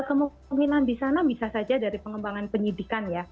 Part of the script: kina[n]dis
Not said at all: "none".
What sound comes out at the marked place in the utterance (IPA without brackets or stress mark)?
n